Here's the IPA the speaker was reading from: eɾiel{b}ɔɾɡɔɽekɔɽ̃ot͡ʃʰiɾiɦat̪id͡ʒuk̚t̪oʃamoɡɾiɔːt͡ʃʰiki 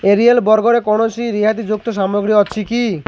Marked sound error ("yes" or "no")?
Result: no